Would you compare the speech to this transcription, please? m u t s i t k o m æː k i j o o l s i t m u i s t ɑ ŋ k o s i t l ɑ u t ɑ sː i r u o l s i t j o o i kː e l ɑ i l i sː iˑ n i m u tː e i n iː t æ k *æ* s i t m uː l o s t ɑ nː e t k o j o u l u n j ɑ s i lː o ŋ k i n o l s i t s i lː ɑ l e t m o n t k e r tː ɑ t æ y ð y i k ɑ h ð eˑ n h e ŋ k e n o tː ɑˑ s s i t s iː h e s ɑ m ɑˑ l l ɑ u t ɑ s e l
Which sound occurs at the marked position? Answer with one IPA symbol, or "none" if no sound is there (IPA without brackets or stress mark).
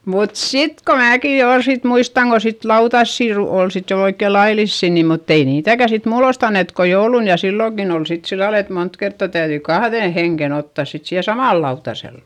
æ